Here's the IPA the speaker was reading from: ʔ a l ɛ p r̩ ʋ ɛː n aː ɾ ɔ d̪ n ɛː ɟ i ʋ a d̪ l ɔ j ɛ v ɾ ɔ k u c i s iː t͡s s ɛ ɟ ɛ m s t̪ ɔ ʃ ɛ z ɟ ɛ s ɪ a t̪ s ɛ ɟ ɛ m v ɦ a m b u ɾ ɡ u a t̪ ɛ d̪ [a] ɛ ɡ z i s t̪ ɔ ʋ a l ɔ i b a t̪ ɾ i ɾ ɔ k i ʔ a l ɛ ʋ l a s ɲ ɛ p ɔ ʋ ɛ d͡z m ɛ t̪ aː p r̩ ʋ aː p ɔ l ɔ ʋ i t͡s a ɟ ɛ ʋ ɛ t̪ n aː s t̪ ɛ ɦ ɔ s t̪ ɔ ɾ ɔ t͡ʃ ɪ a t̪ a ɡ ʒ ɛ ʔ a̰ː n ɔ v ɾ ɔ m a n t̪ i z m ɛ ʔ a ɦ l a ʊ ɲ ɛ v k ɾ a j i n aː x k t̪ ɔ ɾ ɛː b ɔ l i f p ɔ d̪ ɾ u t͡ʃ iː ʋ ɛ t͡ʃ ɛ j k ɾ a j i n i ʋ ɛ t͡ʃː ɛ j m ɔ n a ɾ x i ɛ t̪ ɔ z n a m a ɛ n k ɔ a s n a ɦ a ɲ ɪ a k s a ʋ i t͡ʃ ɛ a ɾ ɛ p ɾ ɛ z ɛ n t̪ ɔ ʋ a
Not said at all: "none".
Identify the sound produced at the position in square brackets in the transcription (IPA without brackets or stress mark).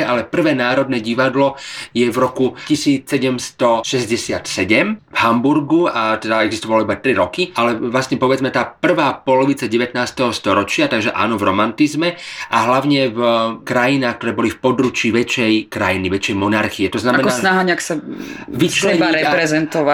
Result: a